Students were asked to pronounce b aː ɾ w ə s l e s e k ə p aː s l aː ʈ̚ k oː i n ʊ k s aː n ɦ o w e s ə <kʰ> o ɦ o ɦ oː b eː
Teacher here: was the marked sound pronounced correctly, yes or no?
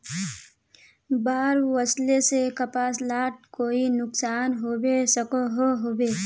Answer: no